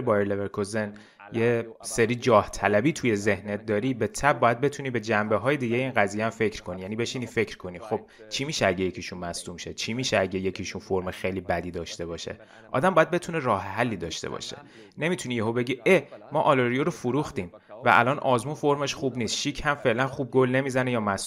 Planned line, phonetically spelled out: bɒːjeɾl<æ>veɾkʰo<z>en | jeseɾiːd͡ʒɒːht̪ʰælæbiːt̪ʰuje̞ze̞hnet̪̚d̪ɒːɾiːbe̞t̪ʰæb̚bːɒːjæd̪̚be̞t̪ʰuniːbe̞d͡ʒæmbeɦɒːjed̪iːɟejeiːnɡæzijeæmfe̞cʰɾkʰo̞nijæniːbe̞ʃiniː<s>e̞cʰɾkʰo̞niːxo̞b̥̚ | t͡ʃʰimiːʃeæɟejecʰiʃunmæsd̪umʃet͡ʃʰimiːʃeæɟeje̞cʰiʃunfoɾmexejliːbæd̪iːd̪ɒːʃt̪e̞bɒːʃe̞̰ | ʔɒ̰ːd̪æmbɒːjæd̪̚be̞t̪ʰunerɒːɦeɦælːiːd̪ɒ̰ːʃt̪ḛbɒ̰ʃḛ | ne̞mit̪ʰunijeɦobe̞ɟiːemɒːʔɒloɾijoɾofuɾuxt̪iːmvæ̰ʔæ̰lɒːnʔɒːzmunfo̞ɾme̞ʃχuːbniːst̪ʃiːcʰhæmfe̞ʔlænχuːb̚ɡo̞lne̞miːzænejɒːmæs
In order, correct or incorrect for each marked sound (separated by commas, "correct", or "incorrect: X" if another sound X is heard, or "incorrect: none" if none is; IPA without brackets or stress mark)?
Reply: incorrect: e, correct, incorrect: f